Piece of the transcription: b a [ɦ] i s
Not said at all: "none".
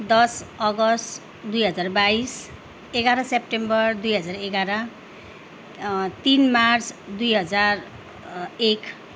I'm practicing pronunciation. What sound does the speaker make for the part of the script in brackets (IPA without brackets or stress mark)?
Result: none